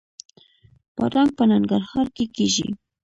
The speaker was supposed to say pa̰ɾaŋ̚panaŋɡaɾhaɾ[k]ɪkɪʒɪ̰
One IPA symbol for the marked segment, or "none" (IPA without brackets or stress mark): k